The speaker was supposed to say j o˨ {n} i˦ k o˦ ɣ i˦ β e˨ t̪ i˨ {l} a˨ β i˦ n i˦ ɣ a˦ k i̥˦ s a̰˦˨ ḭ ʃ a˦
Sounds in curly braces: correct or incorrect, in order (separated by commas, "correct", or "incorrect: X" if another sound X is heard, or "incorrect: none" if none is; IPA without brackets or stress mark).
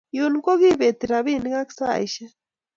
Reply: correct, incorrect: ɾ